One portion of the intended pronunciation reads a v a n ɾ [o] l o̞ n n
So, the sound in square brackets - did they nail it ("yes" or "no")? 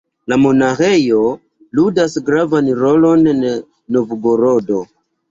yes